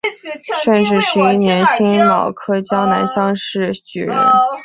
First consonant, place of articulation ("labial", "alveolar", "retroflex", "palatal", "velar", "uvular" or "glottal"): retroflex